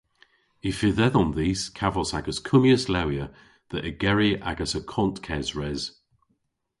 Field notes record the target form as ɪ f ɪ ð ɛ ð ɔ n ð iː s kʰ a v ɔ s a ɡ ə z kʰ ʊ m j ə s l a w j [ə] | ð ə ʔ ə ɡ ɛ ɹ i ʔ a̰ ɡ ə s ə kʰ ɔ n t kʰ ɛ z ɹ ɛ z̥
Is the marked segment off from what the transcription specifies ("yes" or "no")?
no